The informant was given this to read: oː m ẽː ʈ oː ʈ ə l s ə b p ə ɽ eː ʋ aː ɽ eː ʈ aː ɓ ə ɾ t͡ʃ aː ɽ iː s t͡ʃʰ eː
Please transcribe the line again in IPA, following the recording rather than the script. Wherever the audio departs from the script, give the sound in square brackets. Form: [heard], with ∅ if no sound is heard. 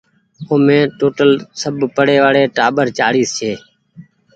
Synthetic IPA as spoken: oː m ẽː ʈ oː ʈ ə l s ə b p ə ɽ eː ʋ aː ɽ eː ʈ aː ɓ ə ɾ t͡ʃ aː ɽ iː s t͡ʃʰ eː